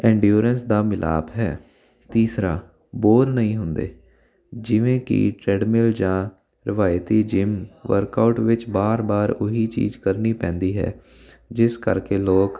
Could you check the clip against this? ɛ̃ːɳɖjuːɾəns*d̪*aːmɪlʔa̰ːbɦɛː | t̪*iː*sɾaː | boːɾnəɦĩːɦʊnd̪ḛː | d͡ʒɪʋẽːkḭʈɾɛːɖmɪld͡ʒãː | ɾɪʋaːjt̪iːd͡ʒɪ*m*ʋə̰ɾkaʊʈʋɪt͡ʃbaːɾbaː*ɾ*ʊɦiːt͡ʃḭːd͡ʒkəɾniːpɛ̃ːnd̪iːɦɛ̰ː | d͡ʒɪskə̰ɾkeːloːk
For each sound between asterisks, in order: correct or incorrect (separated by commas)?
correct, correct, correct, correct